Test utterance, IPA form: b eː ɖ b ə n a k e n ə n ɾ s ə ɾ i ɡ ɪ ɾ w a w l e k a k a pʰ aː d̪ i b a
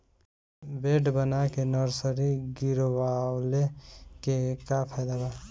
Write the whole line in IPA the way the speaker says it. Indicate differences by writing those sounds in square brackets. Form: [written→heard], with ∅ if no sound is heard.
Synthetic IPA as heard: b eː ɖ b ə n a k e n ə [n→∅] ɾ s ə ɾ i ɡ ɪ ɾ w a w l e k [a→e] k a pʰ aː d̪ [i→a] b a